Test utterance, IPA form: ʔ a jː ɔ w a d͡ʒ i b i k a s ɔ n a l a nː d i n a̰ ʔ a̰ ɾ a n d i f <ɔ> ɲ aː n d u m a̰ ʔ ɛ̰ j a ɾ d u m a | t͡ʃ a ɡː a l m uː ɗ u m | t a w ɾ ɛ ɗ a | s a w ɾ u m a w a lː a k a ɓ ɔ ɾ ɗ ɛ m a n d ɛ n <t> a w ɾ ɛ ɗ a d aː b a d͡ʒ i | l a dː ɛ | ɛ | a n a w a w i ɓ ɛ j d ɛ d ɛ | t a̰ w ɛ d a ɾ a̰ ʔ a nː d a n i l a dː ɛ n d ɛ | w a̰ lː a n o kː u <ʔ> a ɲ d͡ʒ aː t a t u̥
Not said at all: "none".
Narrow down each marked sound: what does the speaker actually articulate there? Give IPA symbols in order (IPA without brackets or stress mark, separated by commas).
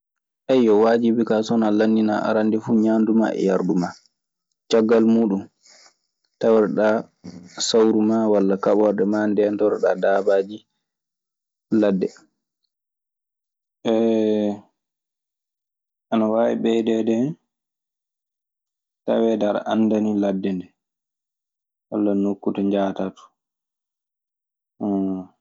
u, t, t